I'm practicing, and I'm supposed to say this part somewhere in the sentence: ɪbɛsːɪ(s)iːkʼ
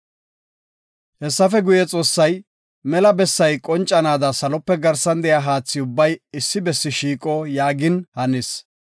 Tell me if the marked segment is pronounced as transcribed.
no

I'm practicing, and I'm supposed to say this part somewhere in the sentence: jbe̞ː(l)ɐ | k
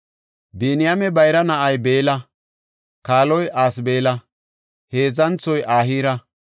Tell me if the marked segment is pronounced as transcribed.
yes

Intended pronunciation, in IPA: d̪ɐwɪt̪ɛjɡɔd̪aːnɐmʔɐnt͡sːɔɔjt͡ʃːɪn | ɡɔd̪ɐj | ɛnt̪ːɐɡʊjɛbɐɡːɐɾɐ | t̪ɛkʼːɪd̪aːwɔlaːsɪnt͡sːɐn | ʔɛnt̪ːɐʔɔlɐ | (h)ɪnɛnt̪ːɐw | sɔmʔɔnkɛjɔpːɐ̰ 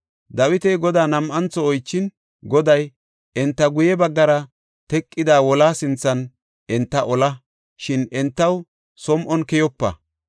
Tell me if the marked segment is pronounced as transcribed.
no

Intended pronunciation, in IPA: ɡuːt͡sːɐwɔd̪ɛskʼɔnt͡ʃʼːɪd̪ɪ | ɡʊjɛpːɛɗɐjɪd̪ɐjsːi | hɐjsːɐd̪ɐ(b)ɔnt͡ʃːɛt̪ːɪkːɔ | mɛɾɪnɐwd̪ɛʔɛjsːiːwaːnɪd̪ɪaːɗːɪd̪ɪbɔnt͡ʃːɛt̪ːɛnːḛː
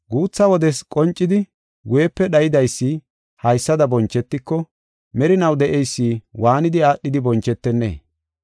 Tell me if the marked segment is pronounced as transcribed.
yes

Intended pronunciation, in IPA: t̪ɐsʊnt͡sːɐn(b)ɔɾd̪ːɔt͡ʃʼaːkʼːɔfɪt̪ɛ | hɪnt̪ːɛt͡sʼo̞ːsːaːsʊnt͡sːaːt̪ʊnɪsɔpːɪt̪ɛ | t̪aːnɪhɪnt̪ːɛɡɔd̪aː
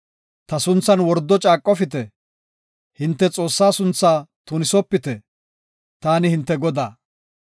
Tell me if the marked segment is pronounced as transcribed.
no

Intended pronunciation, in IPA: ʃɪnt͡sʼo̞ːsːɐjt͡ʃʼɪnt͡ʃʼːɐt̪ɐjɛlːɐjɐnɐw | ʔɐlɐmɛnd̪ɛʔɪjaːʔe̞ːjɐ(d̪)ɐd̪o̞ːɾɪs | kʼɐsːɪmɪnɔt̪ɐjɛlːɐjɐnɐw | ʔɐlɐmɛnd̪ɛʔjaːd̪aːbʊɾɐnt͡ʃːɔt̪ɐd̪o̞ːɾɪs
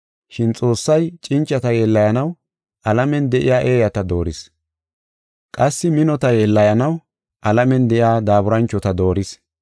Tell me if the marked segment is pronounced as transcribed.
no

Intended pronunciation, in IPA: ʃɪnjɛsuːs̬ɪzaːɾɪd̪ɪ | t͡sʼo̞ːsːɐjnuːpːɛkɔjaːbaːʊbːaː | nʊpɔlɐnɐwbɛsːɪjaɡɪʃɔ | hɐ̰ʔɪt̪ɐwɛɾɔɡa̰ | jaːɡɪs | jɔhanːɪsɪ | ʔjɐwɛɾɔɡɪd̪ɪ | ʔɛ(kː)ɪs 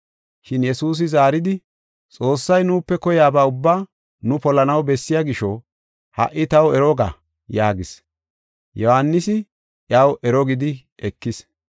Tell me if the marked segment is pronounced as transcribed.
yes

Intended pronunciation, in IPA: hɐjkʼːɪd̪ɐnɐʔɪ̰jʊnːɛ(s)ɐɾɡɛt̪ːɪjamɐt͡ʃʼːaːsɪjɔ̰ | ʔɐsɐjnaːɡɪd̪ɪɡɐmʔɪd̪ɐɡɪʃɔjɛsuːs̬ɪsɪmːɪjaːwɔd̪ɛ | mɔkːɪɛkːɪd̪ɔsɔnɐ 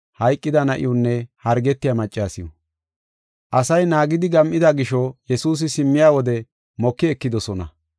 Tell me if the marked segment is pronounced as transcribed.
no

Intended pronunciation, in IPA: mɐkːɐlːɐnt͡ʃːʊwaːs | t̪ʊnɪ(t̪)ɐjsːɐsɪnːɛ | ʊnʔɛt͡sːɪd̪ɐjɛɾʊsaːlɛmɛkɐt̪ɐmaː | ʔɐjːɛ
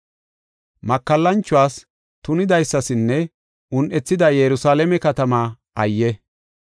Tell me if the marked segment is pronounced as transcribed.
no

